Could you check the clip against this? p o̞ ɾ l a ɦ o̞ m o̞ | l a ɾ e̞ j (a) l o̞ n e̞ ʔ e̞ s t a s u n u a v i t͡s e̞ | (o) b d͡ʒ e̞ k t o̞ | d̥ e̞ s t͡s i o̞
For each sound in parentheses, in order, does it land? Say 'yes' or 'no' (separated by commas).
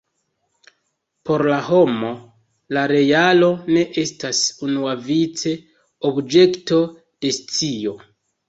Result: yes, yes